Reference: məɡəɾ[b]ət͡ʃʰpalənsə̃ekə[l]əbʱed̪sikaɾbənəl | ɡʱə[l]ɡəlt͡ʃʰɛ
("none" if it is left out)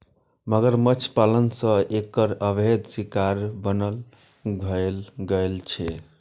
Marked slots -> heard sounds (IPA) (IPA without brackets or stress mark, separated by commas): m, ɾ, l